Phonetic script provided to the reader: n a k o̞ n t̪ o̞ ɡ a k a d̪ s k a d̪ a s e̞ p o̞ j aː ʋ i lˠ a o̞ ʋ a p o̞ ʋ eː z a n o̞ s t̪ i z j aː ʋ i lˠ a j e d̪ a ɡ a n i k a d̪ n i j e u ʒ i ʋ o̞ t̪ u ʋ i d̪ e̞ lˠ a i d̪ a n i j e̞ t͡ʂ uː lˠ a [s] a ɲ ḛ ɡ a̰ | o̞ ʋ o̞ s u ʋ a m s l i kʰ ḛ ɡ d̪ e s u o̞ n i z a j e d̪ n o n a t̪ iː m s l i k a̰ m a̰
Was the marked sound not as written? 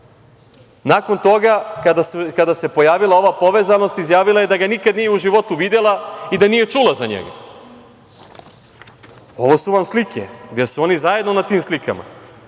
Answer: yes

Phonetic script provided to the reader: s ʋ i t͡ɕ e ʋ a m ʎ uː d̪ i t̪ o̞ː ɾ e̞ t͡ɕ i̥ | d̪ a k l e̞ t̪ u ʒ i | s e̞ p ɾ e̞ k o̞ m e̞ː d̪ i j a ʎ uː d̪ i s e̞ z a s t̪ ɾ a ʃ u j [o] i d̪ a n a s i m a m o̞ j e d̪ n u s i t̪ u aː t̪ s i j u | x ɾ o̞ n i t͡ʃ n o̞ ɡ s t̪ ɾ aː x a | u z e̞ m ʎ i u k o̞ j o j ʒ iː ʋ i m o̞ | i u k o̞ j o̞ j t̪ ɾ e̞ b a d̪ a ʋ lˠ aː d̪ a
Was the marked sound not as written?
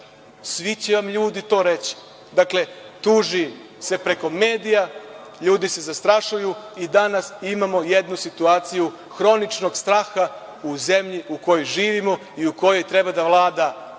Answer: yes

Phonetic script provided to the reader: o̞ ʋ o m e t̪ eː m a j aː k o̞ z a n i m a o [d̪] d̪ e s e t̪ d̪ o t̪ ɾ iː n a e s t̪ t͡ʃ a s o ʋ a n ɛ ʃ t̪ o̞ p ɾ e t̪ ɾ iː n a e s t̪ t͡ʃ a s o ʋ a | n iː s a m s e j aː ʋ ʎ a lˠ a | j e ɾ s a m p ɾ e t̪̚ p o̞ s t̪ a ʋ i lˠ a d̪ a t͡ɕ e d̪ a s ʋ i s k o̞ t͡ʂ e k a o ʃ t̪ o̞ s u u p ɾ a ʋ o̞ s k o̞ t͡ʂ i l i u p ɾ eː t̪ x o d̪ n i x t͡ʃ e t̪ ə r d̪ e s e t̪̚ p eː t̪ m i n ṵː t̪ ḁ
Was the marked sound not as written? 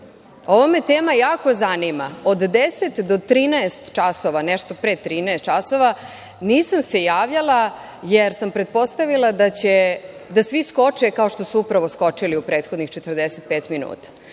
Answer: no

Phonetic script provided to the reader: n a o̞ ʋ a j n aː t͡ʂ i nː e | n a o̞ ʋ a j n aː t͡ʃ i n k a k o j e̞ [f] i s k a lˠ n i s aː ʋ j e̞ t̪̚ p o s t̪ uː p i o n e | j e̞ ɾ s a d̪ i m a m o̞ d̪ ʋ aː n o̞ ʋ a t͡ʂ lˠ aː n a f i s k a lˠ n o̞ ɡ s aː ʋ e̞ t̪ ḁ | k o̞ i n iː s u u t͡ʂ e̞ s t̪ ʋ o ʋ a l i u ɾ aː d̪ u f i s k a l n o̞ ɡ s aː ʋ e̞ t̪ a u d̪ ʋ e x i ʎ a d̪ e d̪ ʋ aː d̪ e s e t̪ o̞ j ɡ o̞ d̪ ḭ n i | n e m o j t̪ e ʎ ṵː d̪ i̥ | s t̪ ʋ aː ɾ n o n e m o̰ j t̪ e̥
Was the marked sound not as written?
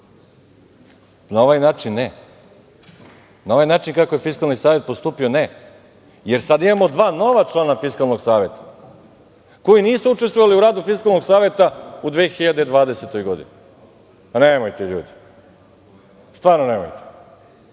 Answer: no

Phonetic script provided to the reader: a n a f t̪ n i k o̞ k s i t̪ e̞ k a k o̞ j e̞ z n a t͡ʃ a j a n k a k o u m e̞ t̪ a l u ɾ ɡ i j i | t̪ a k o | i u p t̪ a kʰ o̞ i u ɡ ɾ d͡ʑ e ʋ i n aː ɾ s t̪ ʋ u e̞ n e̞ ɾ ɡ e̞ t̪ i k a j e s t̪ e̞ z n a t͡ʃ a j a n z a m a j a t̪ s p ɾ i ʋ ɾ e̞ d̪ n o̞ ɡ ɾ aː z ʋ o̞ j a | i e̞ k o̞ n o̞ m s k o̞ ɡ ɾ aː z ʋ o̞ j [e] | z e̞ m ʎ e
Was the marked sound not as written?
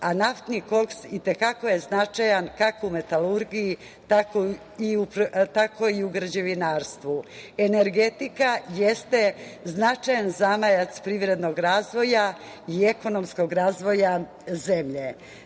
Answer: yes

